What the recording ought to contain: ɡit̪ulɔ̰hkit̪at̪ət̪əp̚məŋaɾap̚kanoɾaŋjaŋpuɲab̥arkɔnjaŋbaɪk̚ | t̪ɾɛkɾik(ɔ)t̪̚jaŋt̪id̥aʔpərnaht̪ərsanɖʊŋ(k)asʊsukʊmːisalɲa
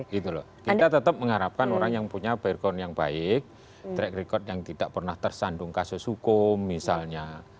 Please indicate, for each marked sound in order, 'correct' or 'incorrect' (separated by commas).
correct, correct